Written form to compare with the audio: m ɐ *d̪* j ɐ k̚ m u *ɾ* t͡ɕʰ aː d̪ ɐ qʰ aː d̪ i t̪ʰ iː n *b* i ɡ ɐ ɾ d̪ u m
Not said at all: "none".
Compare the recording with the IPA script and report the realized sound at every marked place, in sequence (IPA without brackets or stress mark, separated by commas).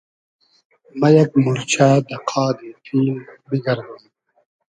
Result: none, ɾ, b